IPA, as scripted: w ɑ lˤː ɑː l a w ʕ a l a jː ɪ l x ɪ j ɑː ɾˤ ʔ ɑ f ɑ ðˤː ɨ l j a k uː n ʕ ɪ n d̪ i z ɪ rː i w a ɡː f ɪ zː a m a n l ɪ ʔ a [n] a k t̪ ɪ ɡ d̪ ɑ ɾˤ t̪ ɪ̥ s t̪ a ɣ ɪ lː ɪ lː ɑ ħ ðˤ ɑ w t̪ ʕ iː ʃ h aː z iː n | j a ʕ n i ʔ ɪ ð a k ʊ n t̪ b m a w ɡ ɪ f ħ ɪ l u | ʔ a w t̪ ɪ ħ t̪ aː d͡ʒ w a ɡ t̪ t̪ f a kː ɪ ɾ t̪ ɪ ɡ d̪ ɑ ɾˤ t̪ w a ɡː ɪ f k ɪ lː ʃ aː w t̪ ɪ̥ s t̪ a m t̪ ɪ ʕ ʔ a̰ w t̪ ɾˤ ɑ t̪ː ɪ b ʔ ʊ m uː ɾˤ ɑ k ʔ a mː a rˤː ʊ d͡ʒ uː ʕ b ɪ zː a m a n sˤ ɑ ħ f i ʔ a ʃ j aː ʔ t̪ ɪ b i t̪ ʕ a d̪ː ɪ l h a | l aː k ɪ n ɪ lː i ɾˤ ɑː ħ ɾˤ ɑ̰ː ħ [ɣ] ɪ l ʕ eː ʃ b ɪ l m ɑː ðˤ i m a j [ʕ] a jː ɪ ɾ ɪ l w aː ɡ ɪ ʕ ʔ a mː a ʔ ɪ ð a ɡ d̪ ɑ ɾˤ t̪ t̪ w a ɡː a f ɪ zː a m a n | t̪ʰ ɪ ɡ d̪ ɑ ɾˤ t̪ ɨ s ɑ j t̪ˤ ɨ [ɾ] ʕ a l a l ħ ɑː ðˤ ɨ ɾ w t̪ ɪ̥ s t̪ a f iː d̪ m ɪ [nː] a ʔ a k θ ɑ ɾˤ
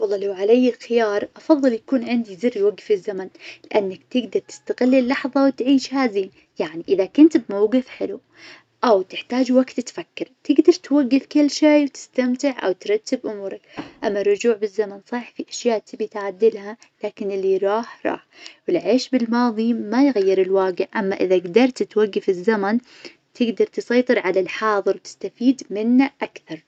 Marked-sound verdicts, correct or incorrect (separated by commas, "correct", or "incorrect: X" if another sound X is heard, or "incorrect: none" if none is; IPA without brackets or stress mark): incorrect: nː, incorrect: w, incorrect: ɣ, correct, correct